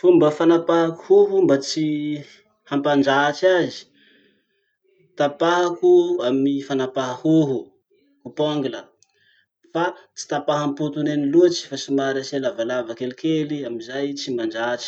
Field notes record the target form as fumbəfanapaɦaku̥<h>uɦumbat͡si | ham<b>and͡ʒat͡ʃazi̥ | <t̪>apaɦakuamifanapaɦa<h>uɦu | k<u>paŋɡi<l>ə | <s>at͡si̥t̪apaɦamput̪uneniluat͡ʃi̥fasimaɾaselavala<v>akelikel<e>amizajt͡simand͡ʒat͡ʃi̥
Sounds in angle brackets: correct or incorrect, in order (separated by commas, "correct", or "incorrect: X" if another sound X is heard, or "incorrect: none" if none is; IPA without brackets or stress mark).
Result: correct, incorrect: p, correct, correct, correct, correct, incorrect: f, correct, incorrect: i